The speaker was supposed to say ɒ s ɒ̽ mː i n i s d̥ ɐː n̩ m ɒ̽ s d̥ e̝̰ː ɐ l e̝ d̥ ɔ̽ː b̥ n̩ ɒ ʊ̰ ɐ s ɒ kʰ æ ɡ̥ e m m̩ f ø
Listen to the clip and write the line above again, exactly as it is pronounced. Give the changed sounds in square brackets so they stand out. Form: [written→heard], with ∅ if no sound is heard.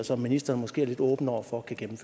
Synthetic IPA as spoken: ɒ s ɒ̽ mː i n i s d̥ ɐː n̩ m ɒ̽ s [d̥→ɡ̥] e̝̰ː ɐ l e̝ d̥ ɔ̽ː b̥ n̩ ɒ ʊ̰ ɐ [s→f] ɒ kʰ æ ɡ̥ e m m̩ f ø

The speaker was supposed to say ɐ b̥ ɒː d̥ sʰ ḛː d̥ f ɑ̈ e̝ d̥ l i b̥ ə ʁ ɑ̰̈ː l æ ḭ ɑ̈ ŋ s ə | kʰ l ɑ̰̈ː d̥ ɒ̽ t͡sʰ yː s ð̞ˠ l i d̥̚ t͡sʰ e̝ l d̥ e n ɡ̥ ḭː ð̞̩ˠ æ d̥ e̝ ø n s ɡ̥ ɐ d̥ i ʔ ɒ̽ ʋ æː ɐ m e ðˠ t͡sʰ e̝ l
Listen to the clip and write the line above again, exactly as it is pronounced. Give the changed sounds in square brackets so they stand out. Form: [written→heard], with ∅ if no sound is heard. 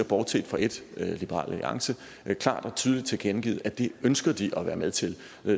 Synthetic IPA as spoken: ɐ b̥ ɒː d̥ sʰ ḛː d̥ f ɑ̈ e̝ d̥ l i b̥ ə ʁ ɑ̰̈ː l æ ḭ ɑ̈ ŋ s ə | kʰ l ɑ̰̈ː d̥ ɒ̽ t͡sʰ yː [s→∅] ð̞ˠ l i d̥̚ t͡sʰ e̝ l [d̥→ɡ̥] e n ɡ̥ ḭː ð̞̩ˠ æ d̥ e̝ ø n s ɡ̥ ɐ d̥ i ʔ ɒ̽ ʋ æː ɐ m e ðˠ t͡sʰ e̝ l

